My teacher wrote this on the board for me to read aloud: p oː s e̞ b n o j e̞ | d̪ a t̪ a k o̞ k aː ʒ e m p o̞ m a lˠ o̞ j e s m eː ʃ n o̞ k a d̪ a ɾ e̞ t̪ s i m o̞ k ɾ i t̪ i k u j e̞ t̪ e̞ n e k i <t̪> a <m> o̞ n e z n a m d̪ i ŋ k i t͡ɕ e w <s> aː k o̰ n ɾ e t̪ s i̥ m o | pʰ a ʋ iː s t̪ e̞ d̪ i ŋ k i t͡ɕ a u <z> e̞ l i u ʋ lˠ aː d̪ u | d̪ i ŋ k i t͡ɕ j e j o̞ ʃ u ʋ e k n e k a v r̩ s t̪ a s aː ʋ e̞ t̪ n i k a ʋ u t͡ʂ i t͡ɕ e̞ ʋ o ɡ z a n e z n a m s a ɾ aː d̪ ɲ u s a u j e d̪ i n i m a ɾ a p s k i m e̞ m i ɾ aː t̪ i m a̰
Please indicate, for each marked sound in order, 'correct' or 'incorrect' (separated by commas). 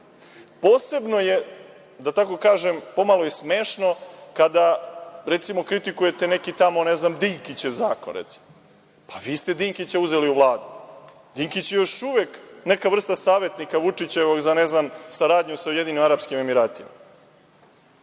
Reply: correct, correct, incorrect, correct